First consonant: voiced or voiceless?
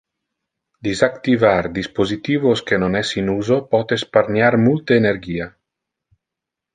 voiced